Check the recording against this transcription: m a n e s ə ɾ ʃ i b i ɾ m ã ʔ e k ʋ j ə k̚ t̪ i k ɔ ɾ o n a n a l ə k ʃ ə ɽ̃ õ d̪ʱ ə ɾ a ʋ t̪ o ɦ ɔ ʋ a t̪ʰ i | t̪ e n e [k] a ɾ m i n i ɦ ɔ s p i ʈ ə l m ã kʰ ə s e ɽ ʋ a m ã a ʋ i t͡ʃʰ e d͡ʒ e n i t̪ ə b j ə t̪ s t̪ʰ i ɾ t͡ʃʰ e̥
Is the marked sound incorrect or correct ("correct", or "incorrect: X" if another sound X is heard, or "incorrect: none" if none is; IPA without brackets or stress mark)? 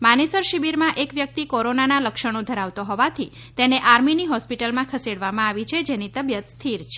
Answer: incorrect: ʔ